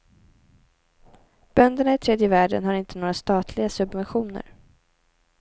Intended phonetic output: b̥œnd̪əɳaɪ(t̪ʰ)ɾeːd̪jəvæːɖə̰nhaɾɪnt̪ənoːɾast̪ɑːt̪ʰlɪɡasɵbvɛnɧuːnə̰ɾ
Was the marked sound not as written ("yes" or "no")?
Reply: no